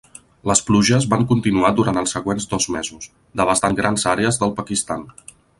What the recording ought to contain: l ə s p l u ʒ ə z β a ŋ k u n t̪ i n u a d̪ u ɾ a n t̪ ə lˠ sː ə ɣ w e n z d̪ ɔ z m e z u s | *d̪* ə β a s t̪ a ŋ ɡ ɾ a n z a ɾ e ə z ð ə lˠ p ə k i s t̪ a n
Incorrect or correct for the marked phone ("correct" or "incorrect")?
correct